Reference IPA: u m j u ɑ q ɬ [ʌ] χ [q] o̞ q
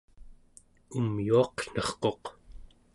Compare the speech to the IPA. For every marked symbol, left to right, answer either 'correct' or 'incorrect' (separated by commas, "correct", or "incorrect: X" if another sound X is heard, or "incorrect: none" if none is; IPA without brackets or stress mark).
correct, correct